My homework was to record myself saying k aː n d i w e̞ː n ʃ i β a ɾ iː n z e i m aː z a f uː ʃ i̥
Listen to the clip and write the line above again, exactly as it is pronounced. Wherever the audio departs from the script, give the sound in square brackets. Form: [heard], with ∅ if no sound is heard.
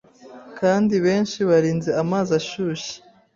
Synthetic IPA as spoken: k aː n d i [β] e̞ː n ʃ i β a ɾ iː n z e [a] m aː z a [ʃ] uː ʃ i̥